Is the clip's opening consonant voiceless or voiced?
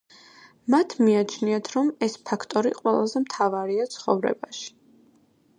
voiced